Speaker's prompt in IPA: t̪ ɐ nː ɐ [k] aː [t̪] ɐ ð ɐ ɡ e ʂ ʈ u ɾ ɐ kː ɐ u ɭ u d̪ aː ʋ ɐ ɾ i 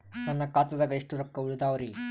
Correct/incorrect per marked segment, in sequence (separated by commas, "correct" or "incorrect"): correct, correct